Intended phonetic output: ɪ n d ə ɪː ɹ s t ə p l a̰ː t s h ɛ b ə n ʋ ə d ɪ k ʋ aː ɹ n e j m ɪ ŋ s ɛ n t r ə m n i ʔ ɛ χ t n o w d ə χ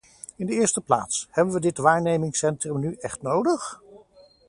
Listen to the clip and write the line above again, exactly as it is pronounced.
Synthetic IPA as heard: ɪ n d ə ɪː ɹ s t ə p l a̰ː t s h ɛ b ə n ʋ ə d ɪ t ʋ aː ɹ n e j m ɪ ŋ s ɛ n t r ə m n y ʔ ɛ χ t n o w d ə χ